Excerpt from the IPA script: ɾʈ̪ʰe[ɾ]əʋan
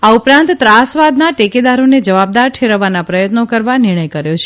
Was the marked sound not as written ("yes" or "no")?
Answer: no